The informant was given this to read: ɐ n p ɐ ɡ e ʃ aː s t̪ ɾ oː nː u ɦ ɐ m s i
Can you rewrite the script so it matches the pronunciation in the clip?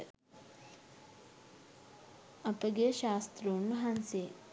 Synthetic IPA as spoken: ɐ p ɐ ɡ e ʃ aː s t̪ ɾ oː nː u ɦ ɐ n s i